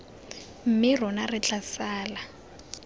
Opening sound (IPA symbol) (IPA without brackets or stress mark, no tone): m̩